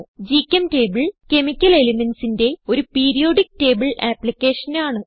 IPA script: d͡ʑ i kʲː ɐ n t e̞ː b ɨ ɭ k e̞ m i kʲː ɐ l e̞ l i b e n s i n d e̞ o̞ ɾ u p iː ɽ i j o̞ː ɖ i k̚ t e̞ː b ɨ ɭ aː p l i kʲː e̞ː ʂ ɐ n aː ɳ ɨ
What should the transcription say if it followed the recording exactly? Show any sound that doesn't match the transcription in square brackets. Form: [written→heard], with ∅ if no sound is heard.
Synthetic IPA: d͡ʑ i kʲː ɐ [n→m] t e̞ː b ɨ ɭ k e̞ m i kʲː ɐ l e̞ l i [b→m] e n s i n d e̞ o̞ ɾ u p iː [ɽ→ɾ] i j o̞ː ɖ i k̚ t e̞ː b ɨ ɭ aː p l i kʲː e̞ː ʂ ɐ n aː ɳ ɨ

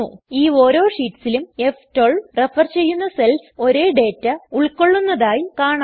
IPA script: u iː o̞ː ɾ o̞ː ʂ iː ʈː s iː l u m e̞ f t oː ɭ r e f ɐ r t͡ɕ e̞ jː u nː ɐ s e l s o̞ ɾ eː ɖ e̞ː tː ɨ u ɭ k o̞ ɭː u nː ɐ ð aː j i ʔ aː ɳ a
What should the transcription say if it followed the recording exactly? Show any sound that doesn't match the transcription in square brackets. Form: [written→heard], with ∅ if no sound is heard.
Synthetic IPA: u iː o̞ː ɾ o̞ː ʂ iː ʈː s [iː→i] l u m e̞ f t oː ɭ r e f ɐ r t͡ɕ e̞ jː u nː ɐ s e l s o̞ ɾ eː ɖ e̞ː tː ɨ u ɭ k o̞ ɭː u nː ɐ ð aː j i [ʔ→k] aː ɳ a

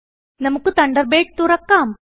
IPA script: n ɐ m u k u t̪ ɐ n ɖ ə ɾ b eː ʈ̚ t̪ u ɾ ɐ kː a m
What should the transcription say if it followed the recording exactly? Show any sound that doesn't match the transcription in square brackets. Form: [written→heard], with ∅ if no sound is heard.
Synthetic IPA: n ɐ m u k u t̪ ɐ [n→ɳ] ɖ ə ɾ b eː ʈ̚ t̪ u ɾ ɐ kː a m

